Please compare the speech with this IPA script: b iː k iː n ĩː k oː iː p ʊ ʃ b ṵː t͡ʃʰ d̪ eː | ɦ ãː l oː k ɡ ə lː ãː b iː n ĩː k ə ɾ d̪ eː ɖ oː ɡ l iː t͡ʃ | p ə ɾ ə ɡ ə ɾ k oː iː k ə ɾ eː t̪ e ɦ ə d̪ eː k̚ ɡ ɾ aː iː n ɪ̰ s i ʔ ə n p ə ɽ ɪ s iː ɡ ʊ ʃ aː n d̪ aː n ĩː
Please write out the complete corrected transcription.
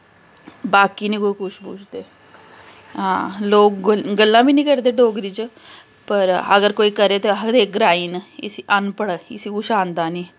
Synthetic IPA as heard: b aː k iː n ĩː k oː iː k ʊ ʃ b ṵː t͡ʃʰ d̪ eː | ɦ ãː l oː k ɡ ə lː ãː b iː n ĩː k ə ɾ d̪ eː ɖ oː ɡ ɾ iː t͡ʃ | p ə ɾ ə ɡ ə ɾ k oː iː k ə ɾ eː t̪ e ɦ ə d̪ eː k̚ ɡ ɾ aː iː n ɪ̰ s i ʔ ə n p ə ɽ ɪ s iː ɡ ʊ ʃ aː n d̪ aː n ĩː